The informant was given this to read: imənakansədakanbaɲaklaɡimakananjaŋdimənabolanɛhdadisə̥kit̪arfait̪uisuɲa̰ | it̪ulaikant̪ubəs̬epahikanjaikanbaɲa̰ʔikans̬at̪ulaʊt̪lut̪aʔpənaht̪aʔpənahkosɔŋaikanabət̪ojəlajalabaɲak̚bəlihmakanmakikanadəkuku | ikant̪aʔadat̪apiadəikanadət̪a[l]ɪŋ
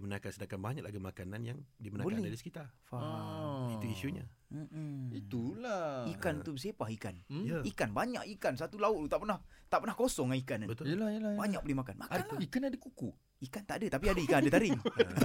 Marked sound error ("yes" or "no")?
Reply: yes